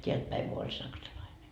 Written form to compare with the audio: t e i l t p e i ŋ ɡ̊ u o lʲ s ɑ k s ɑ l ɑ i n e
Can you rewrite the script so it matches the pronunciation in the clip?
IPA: t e æ l t p æ i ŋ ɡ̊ u o lʲ s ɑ k s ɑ l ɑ i n e